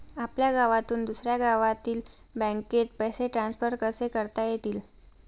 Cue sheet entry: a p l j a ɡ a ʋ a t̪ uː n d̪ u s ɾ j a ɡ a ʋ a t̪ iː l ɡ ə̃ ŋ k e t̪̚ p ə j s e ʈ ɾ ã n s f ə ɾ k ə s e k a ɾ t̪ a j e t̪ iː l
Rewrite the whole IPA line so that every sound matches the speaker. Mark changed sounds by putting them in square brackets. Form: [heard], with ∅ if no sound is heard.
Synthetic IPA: a p l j a ɡ a ʋ a t̪ uː n d̪ u s ɾ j a ɡ a ʋ a t̪ iː l [b] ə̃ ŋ k e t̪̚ p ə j s e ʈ ɾ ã n s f ə ɾ k ə s e k [ə] ɾ t̪ a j e t̪ iː l